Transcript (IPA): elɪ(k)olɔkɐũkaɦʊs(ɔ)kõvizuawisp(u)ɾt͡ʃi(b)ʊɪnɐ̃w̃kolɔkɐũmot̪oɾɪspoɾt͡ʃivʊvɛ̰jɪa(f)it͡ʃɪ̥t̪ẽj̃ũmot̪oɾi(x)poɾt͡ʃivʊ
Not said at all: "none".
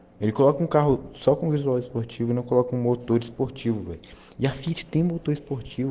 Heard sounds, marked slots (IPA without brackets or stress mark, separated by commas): k, ɔ, o, v, f, s